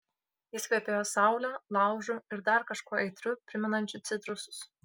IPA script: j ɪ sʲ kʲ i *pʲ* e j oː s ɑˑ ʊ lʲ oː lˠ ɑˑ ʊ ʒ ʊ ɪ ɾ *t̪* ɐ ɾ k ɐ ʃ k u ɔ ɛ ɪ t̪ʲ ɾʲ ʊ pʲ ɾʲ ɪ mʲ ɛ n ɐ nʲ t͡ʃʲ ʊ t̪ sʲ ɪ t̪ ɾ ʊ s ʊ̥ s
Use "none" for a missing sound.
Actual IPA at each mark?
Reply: pʲ, d̪

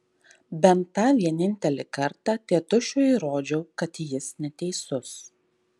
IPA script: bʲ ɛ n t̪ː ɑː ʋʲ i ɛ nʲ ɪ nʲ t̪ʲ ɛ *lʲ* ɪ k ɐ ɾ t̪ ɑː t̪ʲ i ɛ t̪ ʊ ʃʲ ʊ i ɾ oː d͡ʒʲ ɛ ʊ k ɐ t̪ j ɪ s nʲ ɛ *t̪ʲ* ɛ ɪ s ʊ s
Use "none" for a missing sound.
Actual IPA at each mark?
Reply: lʲ, t̪ʲ

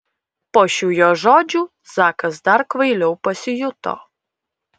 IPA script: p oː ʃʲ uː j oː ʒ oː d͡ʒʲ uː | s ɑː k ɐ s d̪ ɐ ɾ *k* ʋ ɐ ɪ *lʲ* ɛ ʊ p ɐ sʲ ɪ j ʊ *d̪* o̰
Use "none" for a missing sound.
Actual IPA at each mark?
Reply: k, lʲ, t̪

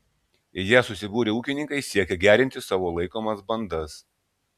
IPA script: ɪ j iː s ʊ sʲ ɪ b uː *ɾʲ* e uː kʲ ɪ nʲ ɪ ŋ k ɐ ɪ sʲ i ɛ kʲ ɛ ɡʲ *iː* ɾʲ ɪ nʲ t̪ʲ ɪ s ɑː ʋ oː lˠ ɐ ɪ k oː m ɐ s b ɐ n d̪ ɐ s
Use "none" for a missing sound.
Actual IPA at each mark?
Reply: ɾʲ, æː

